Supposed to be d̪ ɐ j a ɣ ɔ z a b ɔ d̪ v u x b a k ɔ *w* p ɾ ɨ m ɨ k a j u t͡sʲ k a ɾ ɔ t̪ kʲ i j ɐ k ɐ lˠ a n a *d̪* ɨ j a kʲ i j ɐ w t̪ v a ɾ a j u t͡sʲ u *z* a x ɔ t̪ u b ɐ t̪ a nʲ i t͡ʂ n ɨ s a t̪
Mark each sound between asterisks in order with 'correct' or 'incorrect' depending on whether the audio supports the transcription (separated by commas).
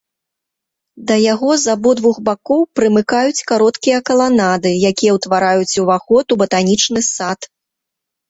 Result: correct, correct, incorrect